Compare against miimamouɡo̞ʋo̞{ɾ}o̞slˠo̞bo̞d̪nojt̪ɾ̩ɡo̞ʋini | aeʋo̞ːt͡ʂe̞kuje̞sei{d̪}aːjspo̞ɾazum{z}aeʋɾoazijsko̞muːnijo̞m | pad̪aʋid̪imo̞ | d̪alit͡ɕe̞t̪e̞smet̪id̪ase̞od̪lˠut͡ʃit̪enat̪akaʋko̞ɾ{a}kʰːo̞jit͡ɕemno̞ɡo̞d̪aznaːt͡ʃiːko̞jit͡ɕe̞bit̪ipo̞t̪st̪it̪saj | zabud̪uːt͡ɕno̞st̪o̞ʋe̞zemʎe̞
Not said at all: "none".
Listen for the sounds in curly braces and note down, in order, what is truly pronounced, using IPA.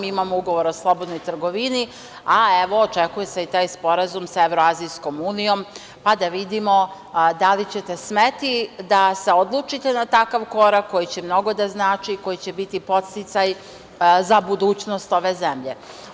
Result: ɾ, t̪, s, a

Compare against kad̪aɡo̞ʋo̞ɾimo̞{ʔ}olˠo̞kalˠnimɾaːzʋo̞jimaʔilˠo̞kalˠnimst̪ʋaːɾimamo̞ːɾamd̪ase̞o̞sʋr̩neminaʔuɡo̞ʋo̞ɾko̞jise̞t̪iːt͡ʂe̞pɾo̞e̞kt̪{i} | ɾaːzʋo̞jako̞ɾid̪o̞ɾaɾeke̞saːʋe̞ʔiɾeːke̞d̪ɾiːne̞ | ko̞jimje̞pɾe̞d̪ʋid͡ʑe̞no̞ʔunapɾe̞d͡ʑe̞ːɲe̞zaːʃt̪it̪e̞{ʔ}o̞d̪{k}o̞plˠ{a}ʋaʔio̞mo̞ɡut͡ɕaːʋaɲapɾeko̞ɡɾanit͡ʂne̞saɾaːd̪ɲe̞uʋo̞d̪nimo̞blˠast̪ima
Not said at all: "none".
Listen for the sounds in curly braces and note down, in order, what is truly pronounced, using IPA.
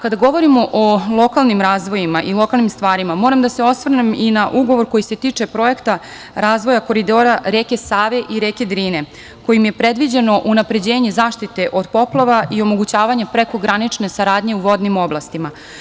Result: ʔ, a, ʔ, p, a

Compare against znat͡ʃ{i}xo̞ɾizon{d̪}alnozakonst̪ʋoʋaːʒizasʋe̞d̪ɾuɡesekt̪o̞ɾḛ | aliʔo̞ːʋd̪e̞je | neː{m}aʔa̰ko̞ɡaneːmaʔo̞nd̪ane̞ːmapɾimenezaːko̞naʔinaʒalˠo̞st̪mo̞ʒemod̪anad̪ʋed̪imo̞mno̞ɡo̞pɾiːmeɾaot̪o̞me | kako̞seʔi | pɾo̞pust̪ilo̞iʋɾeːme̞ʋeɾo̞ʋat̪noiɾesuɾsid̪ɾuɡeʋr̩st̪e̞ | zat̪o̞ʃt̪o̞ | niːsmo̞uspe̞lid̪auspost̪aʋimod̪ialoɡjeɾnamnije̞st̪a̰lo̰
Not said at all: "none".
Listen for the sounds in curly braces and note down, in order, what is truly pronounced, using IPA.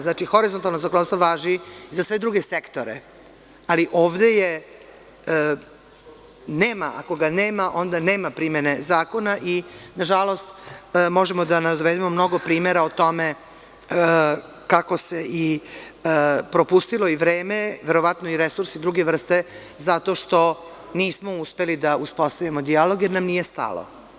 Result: i, t̪, m

